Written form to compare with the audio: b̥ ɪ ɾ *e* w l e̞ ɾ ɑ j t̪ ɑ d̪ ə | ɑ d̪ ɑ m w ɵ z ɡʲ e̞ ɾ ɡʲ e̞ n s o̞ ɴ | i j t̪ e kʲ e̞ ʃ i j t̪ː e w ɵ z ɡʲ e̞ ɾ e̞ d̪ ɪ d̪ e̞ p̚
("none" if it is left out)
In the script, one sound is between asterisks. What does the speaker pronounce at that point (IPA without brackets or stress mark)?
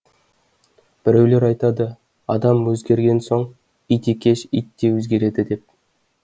e